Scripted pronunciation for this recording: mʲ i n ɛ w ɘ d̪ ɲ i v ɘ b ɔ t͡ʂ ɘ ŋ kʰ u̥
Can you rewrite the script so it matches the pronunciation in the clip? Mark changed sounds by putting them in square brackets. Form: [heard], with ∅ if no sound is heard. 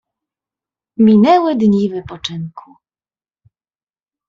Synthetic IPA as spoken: mʲ i n ɛ w ɘ d̪ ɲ i v ɘ [p] ɔ t͡ʂ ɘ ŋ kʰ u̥